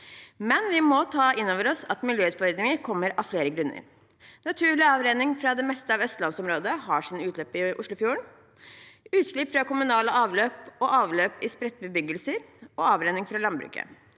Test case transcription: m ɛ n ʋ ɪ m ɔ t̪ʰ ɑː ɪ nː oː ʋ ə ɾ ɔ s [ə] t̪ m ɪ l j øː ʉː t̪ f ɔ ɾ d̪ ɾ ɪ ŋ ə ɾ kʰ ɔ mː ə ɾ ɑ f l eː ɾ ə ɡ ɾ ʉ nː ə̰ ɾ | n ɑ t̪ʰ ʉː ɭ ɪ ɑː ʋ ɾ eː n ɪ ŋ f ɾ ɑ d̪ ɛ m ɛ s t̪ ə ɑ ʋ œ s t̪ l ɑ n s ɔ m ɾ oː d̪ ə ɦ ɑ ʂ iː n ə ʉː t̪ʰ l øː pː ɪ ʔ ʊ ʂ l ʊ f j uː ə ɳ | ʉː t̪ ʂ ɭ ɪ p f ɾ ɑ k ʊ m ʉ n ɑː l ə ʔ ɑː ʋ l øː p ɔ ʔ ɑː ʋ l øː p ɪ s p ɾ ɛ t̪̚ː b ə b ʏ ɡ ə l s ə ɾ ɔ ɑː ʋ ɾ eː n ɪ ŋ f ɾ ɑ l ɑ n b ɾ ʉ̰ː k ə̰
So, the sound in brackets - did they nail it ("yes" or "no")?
no